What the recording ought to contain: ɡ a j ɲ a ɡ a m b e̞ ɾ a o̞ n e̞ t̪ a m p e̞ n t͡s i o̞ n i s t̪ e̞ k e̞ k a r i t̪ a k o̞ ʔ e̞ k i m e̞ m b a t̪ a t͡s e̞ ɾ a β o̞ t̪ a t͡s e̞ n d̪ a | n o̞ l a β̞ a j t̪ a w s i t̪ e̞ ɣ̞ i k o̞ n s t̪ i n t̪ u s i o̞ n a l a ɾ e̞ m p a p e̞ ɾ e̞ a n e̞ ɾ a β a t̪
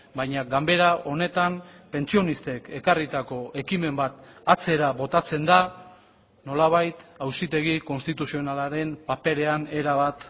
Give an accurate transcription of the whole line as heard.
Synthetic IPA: b a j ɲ a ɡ a m b e̞ ɾ a o̞ n e̞ t̪ a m p e̞ n t͡s i o̞ n i s t̪ e̞ k e̞ k a r i t̪ a k o̞ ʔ e̞ k i m e̞ m b a t̪ a t͡s e̞ ɾ a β o̞ t̪ a t͡s e̞ n d̪ a | n o̞ l a β̞ a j t̪ a w s i t̪ e̞ ɣ̞ i k o̞ n s t̪ i t̪ u s i o̞ n a l a ɾ e̞ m p a p e̞ ɾ e̞ a n e̞ ɾ a β a t̪